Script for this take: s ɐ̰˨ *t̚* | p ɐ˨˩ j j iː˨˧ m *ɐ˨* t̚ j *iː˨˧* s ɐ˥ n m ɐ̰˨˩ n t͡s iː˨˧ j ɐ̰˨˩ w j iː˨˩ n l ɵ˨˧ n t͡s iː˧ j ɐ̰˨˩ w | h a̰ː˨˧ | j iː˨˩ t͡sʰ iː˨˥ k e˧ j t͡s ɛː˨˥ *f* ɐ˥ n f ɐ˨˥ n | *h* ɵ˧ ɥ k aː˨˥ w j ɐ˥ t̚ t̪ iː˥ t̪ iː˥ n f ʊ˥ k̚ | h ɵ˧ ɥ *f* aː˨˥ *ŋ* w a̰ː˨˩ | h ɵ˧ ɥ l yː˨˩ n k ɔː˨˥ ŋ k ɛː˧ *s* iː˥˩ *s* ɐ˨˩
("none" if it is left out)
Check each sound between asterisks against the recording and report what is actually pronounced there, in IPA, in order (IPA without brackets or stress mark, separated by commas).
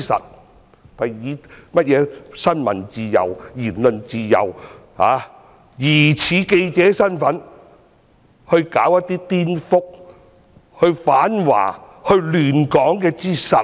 t̚, ɐ˥, ɛː˨˧, s, h, f, n, t͡s, s